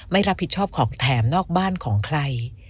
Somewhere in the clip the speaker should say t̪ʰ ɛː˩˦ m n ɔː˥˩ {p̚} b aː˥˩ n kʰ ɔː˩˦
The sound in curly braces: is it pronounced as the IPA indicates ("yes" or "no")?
no